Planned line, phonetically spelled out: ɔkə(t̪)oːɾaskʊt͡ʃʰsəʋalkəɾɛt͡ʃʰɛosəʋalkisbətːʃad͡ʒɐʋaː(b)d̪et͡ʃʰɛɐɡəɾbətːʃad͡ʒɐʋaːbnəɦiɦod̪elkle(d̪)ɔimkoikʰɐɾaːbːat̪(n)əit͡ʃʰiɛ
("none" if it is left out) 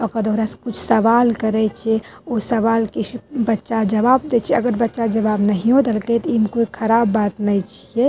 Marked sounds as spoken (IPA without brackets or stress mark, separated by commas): d̪, b, t̪, n